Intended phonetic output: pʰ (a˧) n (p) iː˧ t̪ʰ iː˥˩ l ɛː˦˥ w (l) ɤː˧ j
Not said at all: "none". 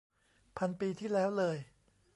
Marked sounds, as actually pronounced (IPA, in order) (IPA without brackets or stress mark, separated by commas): a˧, p, l